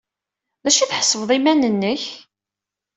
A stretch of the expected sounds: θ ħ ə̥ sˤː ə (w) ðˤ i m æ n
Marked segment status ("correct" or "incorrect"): incorrect